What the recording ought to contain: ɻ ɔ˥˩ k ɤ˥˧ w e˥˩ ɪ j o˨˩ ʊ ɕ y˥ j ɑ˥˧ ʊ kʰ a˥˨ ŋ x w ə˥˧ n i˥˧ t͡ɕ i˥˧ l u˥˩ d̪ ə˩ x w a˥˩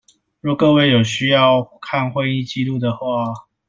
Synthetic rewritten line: ɻ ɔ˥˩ k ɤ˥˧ w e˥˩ ɪ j o˨˩ ʊ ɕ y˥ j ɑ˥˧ ʊ kʰ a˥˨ n x w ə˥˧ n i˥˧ t͡ɕ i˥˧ l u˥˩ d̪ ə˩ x w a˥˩